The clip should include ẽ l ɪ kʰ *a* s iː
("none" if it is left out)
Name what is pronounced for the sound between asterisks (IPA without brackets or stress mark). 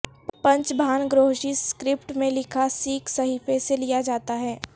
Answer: a